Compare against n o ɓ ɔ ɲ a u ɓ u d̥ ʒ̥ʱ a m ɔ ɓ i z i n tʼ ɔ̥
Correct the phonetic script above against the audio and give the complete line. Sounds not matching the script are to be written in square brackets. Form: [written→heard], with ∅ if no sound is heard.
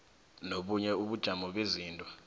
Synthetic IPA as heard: n o ɓ [ɔ→u] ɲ [a→ɛ] u ɓ u d̥ ʒ̥ʱ a m ɔ ɓ [i→e] z [i→iː] n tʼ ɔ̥